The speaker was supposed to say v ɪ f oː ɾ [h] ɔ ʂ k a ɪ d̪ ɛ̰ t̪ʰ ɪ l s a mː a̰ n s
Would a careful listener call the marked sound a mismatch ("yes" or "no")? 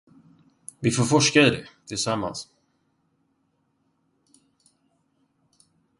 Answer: yes